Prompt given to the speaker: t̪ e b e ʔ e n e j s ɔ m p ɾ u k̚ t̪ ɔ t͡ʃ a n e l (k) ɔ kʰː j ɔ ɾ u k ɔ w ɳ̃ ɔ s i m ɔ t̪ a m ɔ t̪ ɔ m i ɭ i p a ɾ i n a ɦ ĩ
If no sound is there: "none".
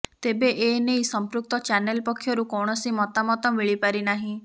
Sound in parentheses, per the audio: p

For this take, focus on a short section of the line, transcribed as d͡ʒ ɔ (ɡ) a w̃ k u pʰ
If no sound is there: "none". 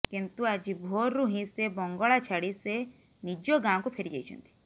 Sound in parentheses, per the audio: ɡ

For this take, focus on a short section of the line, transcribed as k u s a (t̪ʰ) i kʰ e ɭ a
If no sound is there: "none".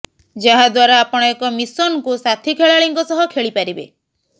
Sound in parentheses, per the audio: t̪ʰ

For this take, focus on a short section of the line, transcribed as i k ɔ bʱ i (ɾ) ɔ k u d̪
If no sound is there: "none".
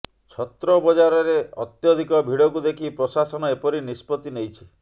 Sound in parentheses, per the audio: ɽ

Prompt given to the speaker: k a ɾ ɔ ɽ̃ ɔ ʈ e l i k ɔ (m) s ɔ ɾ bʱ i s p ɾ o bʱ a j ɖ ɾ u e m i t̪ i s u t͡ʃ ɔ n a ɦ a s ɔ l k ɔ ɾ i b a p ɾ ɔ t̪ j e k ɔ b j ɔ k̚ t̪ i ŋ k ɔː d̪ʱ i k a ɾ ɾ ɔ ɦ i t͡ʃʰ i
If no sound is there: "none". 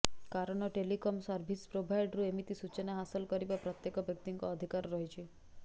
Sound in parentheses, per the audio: m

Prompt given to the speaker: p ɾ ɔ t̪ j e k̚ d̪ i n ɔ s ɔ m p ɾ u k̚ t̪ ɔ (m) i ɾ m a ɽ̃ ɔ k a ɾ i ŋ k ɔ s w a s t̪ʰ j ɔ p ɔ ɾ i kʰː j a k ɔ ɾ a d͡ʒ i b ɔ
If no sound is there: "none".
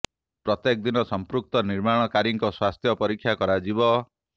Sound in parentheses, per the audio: n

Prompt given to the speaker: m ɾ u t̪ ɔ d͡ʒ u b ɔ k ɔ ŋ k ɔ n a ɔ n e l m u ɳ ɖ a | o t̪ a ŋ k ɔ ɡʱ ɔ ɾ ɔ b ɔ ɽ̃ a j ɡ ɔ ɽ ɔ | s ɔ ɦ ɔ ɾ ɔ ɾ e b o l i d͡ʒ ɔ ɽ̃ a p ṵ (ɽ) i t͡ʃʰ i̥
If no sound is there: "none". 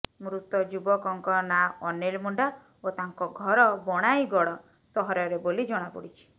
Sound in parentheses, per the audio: ɽ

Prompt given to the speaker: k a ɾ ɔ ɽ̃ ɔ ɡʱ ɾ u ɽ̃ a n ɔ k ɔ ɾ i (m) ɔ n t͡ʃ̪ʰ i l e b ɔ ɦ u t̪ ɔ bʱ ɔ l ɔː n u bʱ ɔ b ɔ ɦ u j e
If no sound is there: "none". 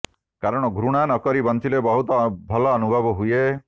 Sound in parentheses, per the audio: b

